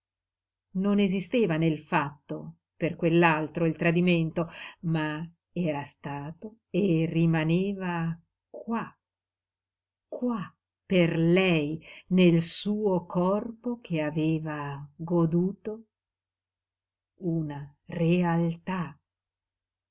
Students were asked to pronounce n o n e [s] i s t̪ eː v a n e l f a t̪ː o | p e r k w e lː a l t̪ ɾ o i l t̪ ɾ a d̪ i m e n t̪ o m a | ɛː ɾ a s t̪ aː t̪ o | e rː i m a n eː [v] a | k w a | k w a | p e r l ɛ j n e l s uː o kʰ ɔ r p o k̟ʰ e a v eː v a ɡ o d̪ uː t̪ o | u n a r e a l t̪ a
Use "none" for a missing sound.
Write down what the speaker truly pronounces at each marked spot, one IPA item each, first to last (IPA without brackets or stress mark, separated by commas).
z, v